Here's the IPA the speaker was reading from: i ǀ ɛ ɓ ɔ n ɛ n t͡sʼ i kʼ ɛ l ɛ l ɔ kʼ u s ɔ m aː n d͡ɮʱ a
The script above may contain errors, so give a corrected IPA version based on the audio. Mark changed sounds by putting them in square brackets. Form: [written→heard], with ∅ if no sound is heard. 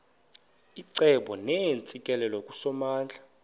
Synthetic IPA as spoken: i ǀ ɛ ɓ ɔ n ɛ n t͡sʼ i kʼ ɛ l ɛ l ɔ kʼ u s ɔ m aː n d͡ɮʱ a